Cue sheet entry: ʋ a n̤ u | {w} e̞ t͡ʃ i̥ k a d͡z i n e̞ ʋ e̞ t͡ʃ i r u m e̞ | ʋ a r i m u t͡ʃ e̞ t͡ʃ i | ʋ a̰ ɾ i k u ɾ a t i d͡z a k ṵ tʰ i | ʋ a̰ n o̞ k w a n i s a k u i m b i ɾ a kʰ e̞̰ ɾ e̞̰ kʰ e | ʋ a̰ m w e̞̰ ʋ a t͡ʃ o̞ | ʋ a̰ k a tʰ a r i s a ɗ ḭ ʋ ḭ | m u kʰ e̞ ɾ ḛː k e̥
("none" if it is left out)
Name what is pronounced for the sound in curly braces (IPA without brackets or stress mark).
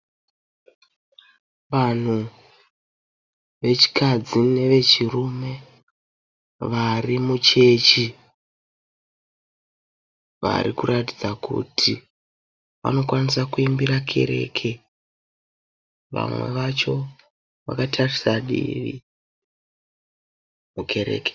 ʋ